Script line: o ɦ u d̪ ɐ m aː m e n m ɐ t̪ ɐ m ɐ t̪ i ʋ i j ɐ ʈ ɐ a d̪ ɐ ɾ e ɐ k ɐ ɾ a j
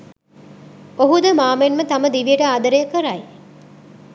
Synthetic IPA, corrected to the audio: o ɦ u d̪ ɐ m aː m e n m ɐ t̪ ɐ m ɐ d̪ i ʋ i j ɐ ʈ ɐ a d̪ ɐ ɾ e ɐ k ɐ ɾ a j